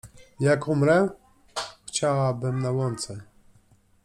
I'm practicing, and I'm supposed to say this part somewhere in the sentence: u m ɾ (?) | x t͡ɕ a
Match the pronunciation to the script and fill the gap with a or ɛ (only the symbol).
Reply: ɛ